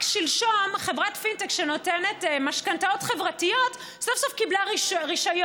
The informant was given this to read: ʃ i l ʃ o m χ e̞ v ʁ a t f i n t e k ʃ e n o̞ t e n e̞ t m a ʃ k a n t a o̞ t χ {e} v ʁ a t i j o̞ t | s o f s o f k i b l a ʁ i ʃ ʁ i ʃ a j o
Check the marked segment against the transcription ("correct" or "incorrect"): correct